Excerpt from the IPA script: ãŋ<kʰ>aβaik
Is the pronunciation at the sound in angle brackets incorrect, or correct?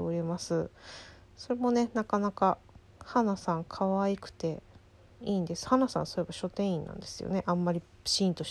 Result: correct